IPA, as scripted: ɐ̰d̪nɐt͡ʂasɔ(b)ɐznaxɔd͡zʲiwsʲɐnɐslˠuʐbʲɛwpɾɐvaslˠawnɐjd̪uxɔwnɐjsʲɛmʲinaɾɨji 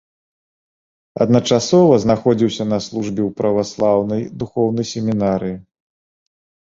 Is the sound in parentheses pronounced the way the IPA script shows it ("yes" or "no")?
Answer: no